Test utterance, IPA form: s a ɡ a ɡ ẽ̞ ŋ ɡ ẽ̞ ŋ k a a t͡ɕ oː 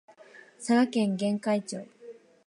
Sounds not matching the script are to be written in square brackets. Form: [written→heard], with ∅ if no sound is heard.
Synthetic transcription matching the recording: s a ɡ a [ɡ→k] ẽ̞ ŋ ɡ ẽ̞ ŋ k a [a→i] t͡ɕ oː